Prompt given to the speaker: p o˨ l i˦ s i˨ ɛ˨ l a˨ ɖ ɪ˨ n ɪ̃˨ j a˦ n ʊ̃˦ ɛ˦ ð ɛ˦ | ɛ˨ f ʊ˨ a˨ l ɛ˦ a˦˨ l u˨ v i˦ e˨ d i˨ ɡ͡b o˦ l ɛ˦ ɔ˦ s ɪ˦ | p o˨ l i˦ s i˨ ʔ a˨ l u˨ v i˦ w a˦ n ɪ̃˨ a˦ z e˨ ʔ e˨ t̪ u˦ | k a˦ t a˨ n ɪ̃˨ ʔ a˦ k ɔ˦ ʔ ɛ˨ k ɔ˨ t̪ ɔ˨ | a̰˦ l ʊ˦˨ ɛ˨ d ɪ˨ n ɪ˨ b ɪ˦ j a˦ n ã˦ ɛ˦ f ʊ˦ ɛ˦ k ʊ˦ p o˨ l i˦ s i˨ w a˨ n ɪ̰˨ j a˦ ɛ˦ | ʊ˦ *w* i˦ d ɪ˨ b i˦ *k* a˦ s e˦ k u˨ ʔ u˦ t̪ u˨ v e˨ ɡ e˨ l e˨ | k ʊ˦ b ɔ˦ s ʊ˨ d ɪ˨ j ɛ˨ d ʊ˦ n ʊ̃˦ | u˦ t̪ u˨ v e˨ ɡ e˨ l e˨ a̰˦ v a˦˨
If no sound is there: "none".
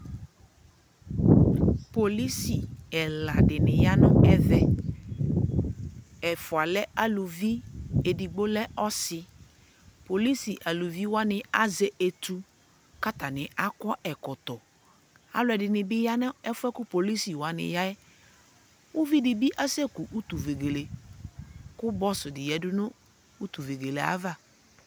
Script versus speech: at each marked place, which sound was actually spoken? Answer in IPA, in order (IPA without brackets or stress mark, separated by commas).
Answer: v, ʔ